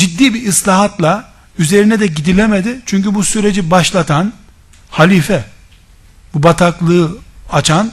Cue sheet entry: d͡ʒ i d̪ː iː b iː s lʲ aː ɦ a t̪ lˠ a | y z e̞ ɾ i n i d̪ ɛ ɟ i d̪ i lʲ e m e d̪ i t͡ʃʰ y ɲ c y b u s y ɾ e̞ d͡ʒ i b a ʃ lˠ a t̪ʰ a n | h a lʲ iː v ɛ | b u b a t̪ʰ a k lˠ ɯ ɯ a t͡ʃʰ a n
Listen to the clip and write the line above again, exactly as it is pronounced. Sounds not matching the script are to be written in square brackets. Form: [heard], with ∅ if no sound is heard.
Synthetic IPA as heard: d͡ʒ i d̪ː iː b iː s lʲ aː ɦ a t̪ lˠ a | y z e̞ ɾ i n [ɛ] d̪ ɛ ɟ i d̪ i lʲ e m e d̪ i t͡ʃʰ y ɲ c y b u s y ɾ e̞ d͡ʒ i b a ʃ lˠ a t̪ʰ a n | h a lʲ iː [f] ɛ | b u b a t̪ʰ a k lˠ ɯ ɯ a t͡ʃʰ a n